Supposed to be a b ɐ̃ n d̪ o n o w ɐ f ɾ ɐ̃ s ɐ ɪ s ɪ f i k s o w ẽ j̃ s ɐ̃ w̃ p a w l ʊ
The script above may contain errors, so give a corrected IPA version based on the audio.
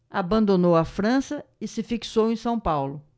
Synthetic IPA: a b ɐ̃ n d̪ o n o w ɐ f ɾ ɐ̃ s ɐ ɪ s ɪ f i k s o w ẽ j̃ s ɐ̃ w̃ p a w l ʊ